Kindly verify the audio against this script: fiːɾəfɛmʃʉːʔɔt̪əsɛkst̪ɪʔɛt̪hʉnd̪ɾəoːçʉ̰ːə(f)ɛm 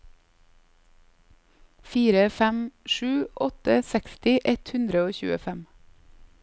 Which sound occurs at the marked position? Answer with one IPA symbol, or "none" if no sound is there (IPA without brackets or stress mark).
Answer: f